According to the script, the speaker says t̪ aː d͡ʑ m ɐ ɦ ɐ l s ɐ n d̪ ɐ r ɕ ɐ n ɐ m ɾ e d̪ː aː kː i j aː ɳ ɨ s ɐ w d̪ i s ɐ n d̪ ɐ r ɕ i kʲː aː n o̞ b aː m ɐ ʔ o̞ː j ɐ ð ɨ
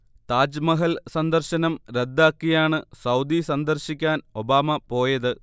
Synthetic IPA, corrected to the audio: t̪ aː d͡ʑ m ɐ ɦ ɐ l s ɐ n d̪ ɐ r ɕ ɐ n ɐ m ɾ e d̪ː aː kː i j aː ɳ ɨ s ɐ w d̪ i s ɐ n d̪ ɐ r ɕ i kʲː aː n o̞ b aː m ɐ p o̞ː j ɐ ð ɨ